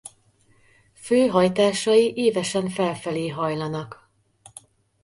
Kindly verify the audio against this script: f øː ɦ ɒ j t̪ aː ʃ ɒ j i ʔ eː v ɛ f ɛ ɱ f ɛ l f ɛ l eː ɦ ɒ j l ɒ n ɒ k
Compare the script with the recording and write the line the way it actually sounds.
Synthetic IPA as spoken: f øː ɦ ɒ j t̪ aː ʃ ɒ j i ʔ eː v ɛ ʃ ɛ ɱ f ɛ l f ɛ l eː ɦ ɒ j l ɒ n ɒ k